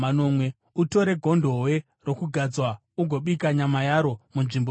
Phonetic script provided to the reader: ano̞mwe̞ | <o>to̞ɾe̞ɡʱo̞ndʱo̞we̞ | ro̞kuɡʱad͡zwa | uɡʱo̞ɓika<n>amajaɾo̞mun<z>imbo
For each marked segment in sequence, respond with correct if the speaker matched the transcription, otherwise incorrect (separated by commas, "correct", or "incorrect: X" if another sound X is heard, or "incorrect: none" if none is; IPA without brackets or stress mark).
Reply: incorrect: u, incorrect: ɲ, incorrect: ʐ